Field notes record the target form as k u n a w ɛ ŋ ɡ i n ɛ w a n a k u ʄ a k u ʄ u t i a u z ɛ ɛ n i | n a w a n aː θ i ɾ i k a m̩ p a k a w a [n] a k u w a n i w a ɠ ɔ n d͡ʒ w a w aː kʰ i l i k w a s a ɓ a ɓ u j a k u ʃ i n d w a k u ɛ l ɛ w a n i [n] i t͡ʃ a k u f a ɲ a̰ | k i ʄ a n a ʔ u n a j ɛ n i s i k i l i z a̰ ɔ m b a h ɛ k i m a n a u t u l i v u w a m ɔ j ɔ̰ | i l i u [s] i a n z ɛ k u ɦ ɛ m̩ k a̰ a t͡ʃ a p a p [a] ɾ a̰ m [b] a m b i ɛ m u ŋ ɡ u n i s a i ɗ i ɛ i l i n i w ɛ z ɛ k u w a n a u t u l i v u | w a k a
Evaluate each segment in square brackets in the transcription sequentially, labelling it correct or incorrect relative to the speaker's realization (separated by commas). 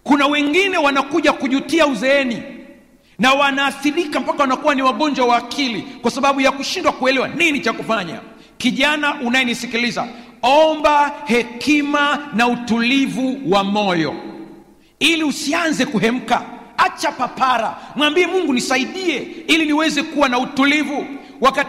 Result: correct, correct, correct, correct, incorrect